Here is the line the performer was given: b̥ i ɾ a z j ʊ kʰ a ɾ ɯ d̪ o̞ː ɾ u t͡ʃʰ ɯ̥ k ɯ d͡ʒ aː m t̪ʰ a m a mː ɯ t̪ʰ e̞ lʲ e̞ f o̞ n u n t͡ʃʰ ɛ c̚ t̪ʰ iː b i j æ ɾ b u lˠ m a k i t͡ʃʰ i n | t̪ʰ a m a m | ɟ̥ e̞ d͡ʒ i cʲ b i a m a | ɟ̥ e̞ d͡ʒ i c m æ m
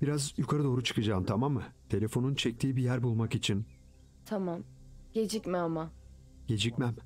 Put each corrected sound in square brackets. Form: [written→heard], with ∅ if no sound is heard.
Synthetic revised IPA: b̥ i ɾ a z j [ʊ→u] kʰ a ɾ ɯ d̪ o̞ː ɾ u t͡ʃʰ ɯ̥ k ɯ d͡ʒ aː m t̪ʰ a m a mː ɯ t̪ʰ e̞ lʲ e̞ f o̞ n u n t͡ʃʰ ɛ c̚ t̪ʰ iː b i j æ ɾ b u lˠ m a k i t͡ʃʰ i n | t̪ʰ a m a m | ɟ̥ e̞ d͡ʒ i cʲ [b→m] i a m a | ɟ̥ e̞ d͡ʒ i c m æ m

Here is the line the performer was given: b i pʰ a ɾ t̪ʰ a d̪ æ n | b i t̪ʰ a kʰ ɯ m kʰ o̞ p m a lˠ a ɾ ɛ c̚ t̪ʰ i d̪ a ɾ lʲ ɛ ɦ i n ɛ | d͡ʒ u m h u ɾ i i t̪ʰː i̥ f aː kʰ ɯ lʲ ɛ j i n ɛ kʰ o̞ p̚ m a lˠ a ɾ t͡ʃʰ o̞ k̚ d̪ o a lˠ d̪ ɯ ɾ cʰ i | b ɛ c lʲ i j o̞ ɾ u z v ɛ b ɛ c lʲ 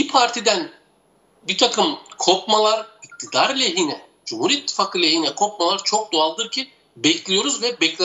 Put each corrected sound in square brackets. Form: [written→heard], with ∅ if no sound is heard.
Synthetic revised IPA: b i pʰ a ɾ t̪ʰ [a→i] d̪ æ n | b i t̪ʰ a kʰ ɯ m kʰ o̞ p m a lˠ a ɾ [ɛ→i] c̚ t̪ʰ i d̪ a ɾ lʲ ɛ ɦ i n ɛ | d͡ʒ u m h u ɾ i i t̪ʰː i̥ f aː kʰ ɯ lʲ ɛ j i n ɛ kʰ o̞ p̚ m a lˠ a ɾ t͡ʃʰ o̞ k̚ d̪ o a lˠ d̪ ɯ ɾ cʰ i | b ɛ c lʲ i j o̞ ɾ u z v ɛ b ɛ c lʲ

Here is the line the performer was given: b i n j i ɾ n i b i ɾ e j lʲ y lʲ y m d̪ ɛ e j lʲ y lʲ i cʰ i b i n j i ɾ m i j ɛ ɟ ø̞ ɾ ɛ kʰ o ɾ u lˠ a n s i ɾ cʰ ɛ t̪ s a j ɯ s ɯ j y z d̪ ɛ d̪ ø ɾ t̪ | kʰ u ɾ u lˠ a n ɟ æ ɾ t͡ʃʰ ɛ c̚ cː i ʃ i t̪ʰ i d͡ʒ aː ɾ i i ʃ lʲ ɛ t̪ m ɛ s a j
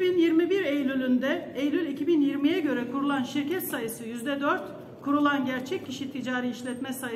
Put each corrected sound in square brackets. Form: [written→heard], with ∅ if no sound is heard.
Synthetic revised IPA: b i n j i ɾ [n→m] i b i ɾ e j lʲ y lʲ y [m→n] d̪ ɛ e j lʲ y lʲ i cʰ i b i n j i ɾ m i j ɛ ɟ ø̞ ɾ ɛ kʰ [o→u] ɾ u lˠ a n [s→ʃ] i ɾ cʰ ɛ t̪ s a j ɯ s ɯ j y z d̪ ɛ d̪ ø ɾ t̪ | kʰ u ɾ u lˠ a n ɟ æ ɾ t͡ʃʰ ɛ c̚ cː i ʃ i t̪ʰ i d͡ʒ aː ɾ i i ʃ lʲ ɛ t̪ m ɛ s a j

